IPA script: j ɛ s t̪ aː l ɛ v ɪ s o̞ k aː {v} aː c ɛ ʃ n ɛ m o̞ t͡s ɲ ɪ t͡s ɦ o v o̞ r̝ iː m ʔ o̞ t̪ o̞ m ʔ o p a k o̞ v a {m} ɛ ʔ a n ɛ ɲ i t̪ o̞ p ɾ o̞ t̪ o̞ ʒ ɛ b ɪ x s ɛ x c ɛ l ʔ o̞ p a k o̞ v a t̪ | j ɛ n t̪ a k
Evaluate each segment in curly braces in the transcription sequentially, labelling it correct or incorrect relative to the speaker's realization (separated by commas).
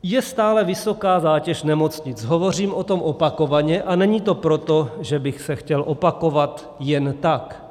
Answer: incorrect, incorrect